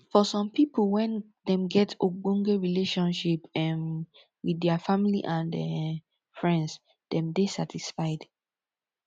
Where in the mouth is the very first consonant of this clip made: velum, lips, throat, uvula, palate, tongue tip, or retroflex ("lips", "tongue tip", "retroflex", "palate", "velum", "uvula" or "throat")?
lips